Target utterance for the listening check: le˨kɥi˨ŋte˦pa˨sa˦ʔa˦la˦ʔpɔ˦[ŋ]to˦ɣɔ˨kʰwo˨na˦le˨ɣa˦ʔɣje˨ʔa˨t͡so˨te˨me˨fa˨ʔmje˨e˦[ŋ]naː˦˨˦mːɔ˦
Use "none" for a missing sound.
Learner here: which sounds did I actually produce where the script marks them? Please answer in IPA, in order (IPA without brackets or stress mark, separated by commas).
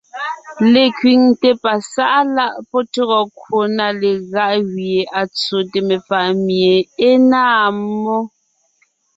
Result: none, none